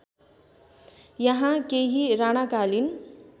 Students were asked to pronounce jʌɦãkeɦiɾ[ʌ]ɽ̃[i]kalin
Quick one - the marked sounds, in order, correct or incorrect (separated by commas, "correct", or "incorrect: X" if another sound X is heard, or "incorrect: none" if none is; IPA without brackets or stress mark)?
incorrect: a, incorrect: a